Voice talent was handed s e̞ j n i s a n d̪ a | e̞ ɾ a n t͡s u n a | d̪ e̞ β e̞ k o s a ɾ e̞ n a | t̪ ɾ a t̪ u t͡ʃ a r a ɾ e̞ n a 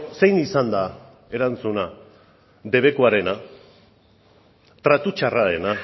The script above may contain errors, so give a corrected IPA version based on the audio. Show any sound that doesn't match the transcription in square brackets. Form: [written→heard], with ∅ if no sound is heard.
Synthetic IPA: s e̞ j n i s a n d̪ a | e̞ ɾ a n t͡s u n a | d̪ e̞ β e̞ k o [s→∅] a ɾ e̞ n a | t̪ ɾ a t̪ u t͡ʃ a r a ɾ e̞ n a